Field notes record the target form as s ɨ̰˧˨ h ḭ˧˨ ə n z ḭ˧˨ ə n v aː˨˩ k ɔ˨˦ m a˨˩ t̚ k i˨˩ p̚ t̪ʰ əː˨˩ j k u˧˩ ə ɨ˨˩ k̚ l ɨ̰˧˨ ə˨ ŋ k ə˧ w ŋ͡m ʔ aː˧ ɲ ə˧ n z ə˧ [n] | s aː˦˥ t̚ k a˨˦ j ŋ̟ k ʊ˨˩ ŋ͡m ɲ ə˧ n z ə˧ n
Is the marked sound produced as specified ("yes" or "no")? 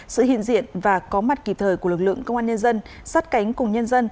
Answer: yes